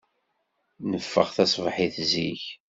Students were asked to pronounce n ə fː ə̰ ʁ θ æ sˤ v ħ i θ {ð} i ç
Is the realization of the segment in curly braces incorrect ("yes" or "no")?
yes